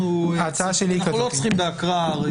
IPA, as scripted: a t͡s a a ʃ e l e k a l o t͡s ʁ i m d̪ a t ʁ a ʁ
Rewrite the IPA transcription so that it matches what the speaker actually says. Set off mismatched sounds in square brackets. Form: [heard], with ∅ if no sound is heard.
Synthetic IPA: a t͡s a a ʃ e l [i] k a l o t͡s [χ] i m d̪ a [k] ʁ a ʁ